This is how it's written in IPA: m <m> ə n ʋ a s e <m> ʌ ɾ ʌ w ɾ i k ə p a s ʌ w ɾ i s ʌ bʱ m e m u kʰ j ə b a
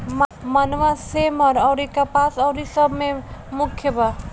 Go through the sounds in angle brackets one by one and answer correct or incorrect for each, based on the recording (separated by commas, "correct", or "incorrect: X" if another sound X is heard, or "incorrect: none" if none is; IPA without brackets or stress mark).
correct, correct